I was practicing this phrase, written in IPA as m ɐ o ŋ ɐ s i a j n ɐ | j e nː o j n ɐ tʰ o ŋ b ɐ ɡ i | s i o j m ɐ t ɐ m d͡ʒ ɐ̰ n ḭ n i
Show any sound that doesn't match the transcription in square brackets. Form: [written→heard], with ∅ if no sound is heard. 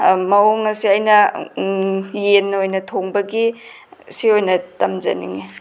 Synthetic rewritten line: m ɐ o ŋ ɐ s i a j n ɐ | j e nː o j n ɐ tʰ o ŋ b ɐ ɡ i | s i o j [m→n] ɐ t ɐ m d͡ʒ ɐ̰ n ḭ [n→ŋ] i

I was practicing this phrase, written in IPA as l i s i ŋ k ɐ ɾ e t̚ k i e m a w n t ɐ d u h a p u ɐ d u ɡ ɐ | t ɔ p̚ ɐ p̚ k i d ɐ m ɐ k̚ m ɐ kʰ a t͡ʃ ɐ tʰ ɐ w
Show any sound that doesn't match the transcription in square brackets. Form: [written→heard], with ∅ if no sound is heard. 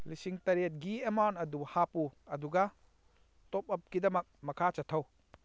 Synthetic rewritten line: l i s i ŋ [k→t] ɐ ɾ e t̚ [k→ɡ] i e m a w n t ɐ d u h a p u ɐ d u ɡ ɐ | t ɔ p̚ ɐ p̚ k i d ɐ m ɐ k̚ m ɐ kʰ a t͡ʃ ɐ tʰ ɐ w

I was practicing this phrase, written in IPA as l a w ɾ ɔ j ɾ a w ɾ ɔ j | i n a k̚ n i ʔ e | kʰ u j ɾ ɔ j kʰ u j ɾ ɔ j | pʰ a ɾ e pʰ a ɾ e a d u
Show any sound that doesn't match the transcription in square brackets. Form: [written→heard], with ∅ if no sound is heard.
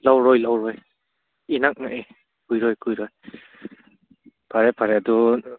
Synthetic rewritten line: l a w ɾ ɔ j [ɾ→l] a w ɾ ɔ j | i n a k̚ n [i→a] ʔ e | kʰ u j ɾ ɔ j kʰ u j ɾ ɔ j | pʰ a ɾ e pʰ a ɾ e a d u

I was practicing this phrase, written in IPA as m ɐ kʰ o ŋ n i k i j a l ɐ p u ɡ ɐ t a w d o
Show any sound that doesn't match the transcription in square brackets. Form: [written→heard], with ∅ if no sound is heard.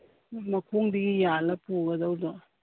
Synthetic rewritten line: m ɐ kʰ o ŋ [n→d] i [k→ɡ] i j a l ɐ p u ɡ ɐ [t→d] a w d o

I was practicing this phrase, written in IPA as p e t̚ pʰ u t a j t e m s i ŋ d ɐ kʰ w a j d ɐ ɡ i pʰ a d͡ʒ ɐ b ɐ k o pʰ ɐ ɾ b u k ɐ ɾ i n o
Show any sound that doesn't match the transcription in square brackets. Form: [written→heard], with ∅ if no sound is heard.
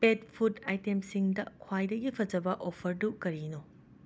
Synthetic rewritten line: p e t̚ pʰ u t a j t e m s i ŋ d ɐ kʰ w a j d ɐ ɡ i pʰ [a→ɐ] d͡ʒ ɐ b ɐ [k→ʔ] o pʰ ɐ ɾ [b→d] u k ɐ ɾ i n o

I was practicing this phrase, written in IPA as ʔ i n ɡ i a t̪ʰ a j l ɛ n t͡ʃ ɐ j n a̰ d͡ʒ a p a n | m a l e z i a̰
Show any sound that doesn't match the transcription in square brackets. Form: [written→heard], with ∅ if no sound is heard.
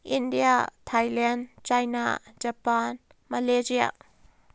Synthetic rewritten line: ʔ i n [ɡ→d] i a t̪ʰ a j l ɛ n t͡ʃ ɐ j n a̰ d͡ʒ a p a n | m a l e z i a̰

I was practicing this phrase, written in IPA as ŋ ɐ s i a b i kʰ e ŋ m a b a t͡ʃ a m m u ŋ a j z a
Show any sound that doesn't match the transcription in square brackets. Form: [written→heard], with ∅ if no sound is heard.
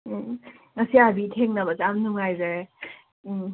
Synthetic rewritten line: ŋ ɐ s i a b i [kʰ→tʰ] e ŋ [m→n] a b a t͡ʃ a m [m→n] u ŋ a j z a

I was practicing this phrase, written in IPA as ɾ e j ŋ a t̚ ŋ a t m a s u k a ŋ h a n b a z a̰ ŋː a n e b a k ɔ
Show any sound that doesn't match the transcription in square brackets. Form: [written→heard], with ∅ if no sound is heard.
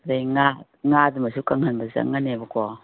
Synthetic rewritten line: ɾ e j ŋ a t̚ ŋ a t m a s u k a ŋ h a n b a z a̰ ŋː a n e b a k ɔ

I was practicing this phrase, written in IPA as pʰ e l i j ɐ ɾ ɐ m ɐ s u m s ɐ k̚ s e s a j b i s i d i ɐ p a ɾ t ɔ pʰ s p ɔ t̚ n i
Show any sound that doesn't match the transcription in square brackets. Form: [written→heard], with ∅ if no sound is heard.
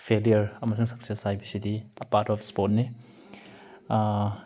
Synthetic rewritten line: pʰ e l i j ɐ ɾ ɐ m ɐ s u [m→ŋ] s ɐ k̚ s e s a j b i s i d i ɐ p a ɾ t ɔ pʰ s p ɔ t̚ n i

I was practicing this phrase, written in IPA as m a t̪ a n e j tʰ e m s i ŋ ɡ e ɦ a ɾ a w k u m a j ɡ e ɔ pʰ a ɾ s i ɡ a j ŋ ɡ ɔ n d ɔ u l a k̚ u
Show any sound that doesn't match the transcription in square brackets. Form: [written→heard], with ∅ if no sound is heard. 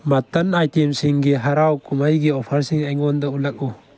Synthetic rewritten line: m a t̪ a n [e→a] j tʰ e m s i ŋ ɡ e ɦ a ɾ a w k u m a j ɡ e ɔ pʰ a ɾ s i [ɡ→ŋ] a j ŋ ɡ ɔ n d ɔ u l a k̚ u

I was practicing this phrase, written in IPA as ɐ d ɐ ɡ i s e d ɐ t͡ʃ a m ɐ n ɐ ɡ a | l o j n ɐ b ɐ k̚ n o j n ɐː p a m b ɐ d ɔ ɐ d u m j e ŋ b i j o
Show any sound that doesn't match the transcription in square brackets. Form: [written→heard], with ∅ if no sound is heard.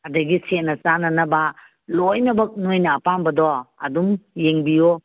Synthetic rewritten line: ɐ d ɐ ɡ i s e [d→n] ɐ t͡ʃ a [m→n] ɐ n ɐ [ɡ→b] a | l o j n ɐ b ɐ k̚ n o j n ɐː p a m b ɐ d ɔ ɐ d u m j e ŋ b i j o

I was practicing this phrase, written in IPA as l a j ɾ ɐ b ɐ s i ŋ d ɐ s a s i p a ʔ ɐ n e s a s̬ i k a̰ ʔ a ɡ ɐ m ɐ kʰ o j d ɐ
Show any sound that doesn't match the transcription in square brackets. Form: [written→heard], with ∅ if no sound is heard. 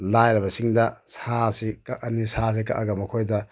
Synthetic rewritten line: l a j ɾ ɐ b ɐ s i ŋ d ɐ s a s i [p→k] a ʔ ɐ n [e→i] s a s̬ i k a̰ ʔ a ɡ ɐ m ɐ kʰ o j d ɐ

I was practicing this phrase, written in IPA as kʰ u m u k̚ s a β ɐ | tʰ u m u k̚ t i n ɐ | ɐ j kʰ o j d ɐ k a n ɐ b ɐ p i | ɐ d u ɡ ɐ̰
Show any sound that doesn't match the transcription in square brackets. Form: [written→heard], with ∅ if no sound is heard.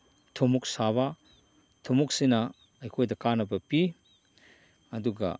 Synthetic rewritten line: [kʰ→tʰ] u m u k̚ s a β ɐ | tʰ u m u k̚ [t→s] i n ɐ | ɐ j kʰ o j d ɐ k a n ɐ b ɐ p i | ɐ d u ɡ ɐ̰

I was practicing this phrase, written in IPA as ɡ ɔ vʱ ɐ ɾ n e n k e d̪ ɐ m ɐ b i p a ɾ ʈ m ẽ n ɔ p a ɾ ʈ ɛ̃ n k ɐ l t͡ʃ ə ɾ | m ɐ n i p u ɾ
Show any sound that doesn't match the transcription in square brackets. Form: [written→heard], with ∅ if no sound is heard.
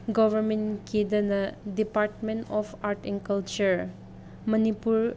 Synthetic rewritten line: ɡ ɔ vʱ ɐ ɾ [n→m] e n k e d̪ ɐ [m→n] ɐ [b→d] i p a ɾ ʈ m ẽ n ɔ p a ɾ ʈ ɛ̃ n k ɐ l t͡ʃ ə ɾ | m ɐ n i p u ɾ

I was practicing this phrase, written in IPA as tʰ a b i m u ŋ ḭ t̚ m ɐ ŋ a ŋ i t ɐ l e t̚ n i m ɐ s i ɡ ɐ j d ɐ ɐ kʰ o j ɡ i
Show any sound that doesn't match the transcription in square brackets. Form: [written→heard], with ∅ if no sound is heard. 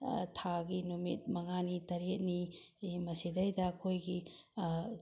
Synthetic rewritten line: tʰ a [b→ɡ] i [m→n] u [ŋ→m] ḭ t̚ m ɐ ŋ a [ŋ→n] i t ɐ [l→ɾ] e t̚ n i m ɐ s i [ɡ→d] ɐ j d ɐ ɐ kʰ o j ɡ i

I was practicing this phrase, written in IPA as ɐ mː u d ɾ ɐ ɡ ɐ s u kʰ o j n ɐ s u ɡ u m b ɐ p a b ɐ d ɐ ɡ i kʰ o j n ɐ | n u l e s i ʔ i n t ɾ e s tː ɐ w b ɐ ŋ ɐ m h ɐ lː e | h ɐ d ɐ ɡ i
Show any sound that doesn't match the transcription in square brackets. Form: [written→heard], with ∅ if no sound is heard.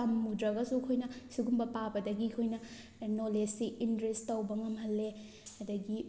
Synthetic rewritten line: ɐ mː u d ɾ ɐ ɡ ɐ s u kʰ o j n ɐ s u ɡ u m b ɐ p a b ɐ d ɐ ɡ i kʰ o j n ɐ | n [u→o] l e s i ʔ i n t ɾ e s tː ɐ w b ɐ ŋ ɐ m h ɐ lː e | h ɐ d ɐ ɡ i

